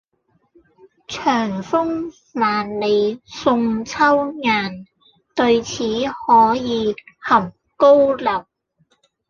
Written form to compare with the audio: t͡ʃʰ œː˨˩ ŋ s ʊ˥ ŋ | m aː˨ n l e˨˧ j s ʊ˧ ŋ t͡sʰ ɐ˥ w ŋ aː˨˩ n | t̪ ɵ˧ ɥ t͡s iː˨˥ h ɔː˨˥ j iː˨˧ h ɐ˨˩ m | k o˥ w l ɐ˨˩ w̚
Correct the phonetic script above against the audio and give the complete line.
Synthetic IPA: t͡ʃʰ œː˨˩ ŋ f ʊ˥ ŋ | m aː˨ n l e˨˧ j s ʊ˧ ŋ t͡sʰ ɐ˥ w ŋ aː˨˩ n | t̪ ɵ˧ ɥ t͡sʰ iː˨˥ h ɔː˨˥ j iː˨˧ h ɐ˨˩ m | k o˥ w l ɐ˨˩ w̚

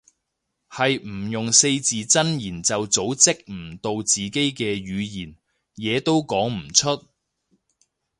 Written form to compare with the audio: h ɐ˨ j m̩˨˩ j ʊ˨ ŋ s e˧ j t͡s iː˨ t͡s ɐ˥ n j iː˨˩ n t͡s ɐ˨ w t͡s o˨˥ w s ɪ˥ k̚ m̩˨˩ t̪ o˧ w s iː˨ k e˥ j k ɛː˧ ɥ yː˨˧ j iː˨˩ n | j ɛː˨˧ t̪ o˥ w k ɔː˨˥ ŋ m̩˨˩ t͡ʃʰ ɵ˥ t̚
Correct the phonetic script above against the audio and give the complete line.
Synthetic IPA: h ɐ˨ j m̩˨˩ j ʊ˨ ŋ s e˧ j t͡s iː˨ t͡s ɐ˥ n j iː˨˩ n t͡s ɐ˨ w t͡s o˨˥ w t͡s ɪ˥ k̚ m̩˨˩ t̪ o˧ w t͡s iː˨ k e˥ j k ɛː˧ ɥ yː˨˧ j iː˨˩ n | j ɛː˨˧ t̪ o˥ w k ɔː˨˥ ŋ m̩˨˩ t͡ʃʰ ɵ˥ t̚

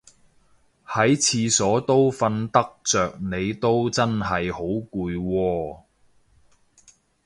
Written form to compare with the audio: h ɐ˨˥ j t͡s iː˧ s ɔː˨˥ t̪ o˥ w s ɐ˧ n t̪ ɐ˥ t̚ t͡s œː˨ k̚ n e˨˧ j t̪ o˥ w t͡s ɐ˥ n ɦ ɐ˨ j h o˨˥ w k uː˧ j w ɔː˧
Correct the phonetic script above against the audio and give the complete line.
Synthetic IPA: h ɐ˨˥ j t͡sʰ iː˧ s ɔː˨˥ t̪ o˥ w f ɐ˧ n t̪ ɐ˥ k̚ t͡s œː˨ k̚ n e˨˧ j t̪ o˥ w t͡s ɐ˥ n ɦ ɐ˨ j h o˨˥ w k uː˧ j w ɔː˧

